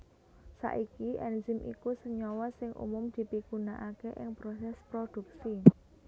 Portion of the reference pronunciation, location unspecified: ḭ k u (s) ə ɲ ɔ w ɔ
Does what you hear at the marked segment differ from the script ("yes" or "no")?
no